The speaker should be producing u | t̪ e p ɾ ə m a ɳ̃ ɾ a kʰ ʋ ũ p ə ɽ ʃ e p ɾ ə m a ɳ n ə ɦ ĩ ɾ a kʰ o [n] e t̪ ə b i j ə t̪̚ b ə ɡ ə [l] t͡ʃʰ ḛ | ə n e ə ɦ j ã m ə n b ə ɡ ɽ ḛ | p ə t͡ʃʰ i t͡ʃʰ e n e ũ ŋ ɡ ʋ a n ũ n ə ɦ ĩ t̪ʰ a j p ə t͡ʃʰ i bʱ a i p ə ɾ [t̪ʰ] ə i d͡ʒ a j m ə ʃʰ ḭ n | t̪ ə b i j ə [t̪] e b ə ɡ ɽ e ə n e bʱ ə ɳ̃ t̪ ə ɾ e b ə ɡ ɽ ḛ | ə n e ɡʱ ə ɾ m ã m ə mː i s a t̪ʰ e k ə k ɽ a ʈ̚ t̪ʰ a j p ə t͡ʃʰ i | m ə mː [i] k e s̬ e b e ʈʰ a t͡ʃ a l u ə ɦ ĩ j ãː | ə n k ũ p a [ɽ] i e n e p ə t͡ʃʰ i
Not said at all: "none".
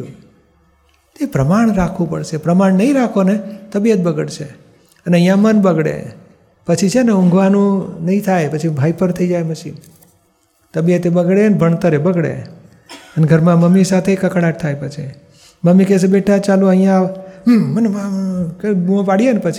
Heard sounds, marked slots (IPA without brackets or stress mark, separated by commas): n, ɽ, t̪ʰ, t̪, i, ɽ